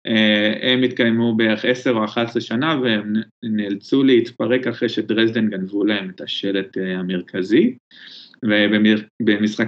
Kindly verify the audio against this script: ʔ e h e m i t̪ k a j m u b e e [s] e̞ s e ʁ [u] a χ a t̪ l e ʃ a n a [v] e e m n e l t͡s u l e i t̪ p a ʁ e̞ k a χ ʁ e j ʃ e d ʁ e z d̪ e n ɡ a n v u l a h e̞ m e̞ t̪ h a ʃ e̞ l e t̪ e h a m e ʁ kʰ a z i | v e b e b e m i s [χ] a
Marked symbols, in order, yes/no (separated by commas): no, no, yes, yes